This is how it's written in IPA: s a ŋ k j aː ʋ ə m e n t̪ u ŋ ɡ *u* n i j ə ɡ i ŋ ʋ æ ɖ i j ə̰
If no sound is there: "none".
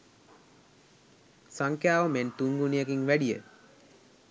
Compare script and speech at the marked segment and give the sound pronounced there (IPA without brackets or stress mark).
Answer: u